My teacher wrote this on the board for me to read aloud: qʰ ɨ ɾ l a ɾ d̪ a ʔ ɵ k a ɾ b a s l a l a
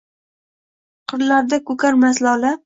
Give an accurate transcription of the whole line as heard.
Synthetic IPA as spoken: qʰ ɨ ɾ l a ɾ d̪ a k ɵ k a ɾ m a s l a l a